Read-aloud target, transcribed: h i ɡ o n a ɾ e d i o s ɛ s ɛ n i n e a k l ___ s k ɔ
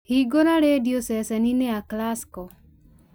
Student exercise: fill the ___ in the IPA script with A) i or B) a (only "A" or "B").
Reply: B